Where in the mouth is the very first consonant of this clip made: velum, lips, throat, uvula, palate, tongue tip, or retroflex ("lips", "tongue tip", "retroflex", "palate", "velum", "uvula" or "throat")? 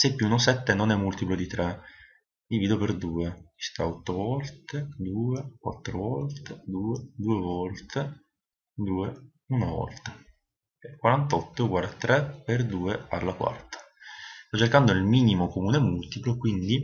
tongue tip